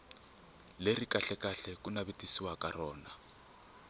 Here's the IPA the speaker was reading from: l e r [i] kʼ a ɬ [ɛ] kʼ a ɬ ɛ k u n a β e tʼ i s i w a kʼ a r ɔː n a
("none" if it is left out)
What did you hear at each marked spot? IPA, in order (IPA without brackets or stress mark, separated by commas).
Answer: i, ɛ